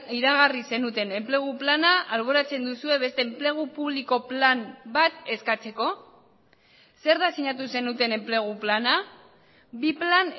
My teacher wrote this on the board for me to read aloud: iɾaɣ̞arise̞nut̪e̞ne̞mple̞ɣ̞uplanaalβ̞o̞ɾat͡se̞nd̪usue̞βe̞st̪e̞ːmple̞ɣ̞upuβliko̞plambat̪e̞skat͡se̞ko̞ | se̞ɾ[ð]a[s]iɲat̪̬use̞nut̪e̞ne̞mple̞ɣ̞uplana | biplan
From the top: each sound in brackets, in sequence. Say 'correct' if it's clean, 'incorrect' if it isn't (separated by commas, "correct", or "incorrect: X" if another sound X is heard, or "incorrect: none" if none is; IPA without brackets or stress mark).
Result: correct, correct